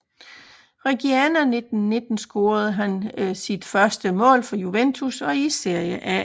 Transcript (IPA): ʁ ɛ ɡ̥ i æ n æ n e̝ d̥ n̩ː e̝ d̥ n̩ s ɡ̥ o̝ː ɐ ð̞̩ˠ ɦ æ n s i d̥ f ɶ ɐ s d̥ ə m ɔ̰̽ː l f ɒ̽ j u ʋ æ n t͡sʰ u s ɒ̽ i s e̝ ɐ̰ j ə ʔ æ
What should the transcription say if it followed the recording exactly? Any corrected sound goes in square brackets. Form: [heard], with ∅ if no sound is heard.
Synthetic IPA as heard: ʁ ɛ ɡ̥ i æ n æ n e̝ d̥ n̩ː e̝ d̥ n̩ s ɡ̥ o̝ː ɐ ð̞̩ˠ ɦ æ n s i d̥ f ɶ ɐ s d̥ ə m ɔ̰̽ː l f ɒ̽ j u ʋ [e] n t͡sʰ u s ɒ̽ i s e̝ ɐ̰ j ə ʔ æ